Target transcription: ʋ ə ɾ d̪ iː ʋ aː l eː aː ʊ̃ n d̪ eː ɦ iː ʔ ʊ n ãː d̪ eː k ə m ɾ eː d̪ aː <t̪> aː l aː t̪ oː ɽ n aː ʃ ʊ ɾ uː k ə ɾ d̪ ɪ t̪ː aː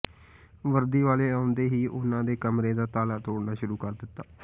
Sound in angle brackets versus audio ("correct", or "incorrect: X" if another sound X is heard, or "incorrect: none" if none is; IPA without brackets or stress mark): correct